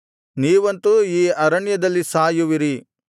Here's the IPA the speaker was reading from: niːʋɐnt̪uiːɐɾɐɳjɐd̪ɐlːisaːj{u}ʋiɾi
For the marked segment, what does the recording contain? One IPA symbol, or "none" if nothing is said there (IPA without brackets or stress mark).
u